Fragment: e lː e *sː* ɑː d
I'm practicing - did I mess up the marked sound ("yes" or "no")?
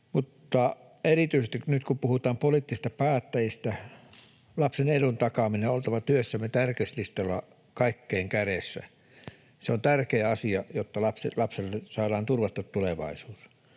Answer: yes